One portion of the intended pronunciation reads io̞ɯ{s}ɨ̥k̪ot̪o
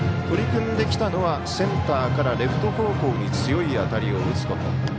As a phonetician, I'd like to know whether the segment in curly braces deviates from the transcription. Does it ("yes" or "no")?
yes